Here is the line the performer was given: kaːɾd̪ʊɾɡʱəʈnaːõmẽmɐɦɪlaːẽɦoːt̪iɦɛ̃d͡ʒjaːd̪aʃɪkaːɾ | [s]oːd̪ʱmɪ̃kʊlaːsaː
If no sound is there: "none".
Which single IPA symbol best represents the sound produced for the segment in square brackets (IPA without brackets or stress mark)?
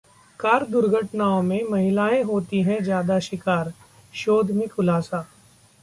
ʃ